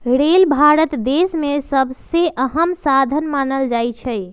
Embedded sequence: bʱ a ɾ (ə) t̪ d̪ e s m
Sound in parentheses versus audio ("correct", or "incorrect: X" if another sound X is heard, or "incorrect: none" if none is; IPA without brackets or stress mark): correct